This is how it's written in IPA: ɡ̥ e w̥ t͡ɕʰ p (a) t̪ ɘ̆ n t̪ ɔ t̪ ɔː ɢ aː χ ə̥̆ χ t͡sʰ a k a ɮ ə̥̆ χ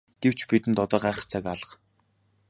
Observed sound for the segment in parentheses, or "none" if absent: i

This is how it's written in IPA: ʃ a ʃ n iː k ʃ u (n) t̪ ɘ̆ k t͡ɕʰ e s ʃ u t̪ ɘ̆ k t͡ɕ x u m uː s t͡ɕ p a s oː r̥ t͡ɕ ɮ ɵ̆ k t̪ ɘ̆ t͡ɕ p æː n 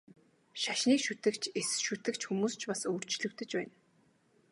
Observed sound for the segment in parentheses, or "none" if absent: none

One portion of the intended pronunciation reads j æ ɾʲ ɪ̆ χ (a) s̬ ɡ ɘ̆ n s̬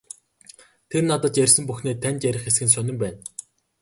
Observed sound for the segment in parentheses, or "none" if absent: e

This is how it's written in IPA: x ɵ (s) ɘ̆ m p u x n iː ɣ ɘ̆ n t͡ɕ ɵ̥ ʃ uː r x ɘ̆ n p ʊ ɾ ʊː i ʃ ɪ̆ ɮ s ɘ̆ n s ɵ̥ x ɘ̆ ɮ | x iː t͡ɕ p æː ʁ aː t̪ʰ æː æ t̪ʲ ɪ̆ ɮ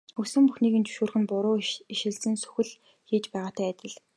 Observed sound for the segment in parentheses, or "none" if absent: s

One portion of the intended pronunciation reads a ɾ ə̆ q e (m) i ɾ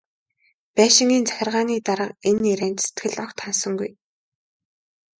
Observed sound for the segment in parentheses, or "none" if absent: n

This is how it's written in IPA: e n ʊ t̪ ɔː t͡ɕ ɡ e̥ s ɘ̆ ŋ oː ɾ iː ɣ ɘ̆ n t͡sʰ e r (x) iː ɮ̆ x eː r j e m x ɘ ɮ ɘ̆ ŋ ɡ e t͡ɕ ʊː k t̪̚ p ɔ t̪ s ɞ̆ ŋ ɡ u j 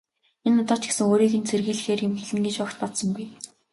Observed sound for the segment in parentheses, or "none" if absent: ɣ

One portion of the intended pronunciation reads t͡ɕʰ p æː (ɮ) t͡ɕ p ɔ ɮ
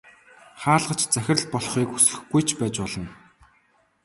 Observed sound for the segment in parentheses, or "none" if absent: none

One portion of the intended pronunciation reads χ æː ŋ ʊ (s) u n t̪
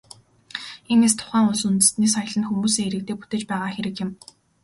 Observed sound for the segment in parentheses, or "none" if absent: s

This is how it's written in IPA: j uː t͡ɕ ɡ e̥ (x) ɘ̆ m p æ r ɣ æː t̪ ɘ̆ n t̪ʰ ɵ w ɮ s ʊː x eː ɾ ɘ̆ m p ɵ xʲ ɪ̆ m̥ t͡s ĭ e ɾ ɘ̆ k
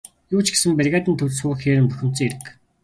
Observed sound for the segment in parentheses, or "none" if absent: s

